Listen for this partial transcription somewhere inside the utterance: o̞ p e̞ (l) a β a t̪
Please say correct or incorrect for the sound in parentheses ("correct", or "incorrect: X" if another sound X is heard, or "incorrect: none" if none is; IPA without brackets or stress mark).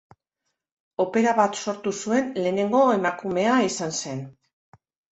incorrect: ɾ